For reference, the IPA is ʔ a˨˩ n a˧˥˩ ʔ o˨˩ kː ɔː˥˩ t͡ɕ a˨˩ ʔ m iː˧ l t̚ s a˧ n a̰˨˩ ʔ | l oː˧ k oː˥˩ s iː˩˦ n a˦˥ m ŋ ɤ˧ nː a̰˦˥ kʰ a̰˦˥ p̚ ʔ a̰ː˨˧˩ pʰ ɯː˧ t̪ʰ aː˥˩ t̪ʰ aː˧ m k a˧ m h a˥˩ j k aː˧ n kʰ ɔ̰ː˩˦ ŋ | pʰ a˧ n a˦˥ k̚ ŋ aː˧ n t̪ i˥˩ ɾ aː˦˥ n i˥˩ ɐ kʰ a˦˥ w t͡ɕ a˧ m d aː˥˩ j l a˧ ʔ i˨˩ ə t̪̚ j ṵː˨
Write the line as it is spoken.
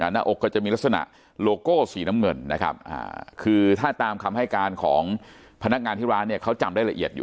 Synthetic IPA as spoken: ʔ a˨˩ n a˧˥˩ ʔ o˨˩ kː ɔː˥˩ t͡ɕ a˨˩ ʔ m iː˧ l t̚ s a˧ n a̰˨˩ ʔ | l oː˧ k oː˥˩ s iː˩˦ n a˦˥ m ŋ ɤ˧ nː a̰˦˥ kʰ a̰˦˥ p̚ ʔ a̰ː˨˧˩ kʰ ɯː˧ t̪ʰ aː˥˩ t̪ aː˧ m kʰ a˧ m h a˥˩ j k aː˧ n kʰ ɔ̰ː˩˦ ŋ | pʰ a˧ n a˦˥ k̚ ŋ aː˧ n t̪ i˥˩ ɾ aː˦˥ n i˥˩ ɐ kʰ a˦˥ w t͡ɕ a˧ m d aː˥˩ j l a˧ ʔ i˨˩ ə t̪̚ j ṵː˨